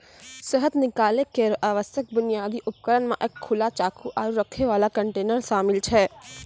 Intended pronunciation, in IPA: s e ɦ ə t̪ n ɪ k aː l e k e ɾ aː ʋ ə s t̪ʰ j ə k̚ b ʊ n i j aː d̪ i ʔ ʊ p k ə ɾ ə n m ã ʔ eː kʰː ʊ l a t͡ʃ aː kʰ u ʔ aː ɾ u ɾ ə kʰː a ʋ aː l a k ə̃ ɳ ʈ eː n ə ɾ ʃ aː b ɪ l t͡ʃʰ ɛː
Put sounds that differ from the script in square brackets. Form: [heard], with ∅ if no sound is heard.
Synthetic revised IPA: s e ɦ ə t̪ n ɪ k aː l e k e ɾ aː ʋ ə s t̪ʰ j ə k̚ b ʊ n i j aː d̪ i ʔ ʊ p k ə ɾ ə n m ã ʔ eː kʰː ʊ l a t͡ʃ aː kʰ u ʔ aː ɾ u ɾ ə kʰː [e] ʋ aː l a k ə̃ ɳ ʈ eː n ə ɾ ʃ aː [m] ɪ l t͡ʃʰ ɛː